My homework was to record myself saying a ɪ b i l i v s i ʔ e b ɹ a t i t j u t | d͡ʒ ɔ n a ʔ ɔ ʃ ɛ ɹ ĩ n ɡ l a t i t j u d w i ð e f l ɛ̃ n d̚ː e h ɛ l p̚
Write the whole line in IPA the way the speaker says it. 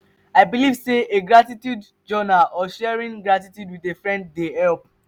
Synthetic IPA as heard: a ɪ b i l i v s e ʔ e ɡ ɹ a t i t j u d | d͡ʒ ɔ n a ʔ ɔ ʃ ɛ ɹ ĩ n ɡ ɹ a t i t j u d w i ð e f ɹ ɛ̃ n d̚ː e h ɛ l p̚